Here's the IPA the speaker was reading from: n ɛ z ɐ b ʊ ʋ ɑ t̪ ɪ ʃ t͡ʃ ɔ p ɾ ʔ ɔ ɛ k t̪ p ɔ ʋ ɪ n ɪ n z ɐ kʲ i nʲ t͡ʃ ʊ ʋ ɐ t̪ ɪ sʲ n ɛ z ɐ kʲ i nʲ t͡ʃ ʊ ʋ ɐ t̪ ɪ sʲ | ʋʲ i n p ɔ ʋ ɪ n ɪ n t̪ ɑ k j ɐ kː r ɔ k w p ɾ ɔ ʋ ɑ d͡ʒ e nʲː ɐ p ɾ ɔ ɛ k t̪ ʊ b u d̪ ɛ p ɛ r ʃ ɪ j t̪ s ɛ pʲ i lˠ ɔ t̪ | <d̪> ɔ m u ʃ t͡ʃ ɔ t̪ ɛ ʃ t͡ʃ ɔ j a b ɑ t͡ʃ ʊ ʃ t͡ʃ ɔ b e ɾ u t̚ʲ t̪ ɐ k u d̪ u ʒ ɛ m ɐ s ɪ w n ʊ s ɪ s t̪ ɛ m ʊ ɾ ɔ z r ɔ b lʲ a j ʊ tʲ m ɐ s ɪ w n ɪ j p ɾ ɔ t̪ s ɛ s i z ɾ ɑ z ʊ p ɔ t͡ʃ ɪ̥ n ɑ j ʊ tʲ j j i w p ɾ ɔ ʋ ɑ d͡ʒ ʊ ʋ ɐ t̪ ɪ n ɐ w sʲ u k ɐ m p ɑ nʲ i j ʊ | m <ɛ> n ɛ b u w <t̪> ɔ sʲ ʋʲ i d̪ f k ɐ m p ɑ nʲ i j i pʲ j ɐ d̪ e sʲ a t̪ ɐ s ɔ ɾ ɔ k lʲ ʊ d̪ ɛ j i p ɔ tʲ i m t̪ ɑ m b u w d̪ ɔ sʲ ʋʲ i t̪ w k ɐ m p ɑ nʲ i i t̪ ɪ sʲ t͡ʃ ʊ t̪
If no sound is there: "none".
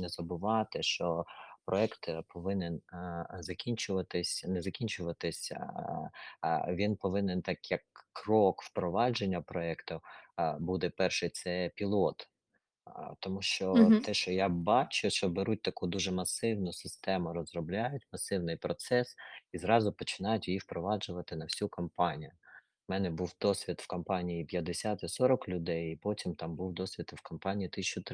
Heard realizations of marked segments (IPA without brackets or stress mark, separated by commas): t̪, ɛ, d̪